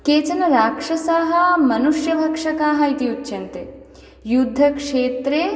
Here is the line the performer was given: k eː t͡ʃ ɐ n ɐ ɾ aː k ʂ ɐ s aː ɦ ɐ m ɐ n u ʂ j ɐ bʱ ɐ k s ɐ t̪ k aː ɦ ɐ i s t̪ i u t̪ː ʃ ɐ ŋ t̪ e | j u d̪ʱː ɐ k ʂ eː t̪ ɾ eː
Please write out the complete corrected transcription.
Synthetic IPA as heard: k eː t͡ʃ ɐ n ɐ ɾ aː k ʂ ɐ s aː ɦ ɐ m ɐ n u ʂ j ɐ bʱ ɐ k ʂ ɐ k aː ɦ ɐ i t̪ i u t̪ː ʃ ɐ n t̪ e | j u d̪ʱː ɐ k ʂ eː t̪ ɾ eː